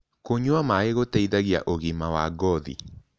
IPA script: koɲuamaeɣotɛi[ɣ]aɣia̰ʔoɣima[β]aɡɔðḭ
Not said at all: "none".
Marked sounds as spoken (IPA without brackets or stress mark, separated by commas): ð, w